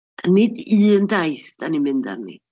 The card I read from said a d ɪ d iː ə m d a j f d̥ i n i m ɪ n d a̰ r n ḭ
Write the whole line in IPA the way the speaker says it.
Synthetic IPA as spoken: a n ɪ d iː ə n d a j θ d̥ a n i m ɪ n d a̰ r n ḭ